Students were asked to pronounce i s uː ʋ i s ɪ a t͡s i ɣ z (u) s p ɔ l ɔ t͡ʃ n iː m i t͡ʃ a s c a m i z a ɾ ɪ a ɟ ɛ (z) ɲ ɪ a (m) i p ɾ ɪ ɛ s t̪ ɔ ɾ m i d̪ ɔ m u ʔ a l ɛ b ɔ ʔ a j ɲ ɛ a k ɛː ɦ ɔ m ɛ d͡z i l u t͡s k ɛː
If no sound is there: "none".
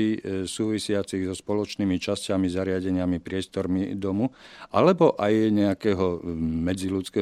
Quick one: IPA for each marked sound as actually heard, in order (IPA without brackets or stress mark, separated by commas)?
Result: ɔ, none, m